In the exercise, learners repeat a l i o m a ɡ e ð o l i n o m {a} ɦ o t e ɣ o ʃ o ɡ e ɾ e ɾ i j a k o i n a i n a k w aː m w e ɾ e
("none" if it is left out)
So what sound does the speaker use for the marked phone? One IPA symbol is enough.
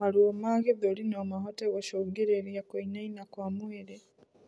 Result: a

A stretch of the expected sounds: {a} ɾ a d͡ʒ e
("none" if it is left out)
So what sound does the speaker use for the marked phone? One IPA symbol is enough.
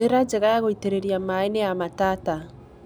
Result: e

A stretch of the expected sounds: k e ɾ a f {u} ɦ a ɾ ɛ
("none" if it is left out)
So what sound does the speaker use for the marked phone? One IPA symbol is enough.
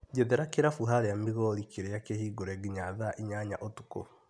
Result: u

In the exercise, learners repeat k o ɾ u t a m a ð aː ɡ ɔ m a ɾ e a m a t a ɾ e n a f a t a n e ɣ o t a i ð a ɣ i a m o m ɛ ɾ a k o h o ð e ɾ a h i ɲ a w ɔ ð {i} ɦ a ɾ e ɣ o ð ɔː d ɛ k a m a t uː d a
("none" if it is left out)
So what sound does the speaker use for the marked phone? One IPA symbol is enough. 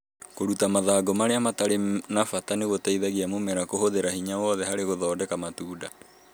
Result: ɛ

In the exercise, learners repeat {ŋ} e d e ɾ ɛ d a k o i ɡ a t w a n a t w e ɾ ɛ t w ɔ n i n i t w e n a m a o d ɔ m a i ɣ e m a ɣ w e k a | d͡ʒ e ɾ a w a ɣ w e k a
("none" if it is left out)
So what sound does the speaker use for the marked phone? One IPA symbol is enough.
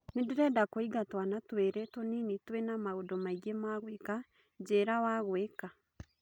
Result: n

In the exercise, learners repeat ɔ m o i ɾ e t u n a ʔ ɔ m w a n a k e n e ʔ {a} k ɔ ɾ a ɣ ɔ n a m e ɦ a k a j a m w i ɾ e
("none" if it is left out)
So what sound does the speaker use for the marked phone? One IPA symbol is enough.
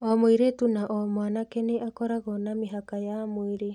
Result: a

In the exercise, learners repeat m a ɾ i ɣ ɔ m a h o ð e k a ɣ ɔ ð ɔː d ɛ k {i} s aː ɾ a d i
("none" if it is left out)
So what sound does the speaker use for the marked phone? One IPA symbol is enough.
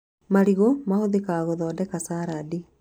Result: a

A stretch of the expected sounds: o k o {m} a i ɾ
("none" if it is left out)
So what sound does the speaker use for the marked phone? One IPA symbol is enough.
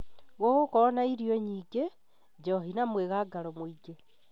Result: n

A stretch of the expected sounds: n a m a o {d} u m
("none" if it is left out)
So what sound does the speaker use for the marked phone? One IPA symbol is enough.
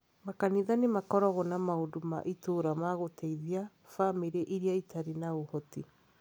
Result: d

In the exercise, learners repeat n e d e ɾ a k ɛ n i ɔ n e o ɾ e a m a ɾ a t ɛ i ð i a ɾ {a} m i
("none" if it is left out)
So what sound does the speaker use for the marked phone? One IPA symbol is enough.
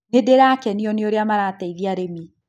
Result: e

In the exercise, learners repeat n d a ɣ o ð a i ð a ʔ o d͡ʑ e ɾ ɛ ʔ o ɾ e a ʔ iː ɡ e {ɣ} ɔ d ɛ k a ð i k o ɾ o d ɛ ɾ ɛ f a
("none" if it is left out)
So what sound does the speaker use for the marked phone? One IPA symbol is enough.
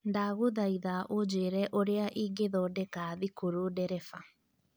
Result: ð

